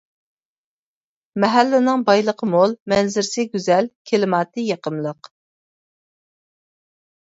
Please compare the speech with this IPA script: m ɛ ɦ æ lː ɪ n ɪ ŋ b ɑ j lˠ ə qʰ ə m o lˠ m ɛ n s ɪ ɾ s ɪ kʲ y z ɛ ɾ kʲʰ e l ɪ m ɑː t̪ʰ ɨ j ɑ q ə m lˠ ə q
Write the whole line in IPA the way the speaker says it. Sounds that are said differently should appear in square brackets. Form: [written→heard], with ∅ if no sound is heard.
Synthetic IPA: m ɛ ɦ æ lː ɪ n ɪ ŋ b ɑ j lˠ ə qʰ ə m o lˠ m ɛ n [s→z] ɪ ɾ s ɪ [kʲ→ɡʲ] y z ɛ [ɾ→l] kʲʰ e l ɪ m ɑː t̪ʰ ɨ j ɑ q ə m lˠ ə q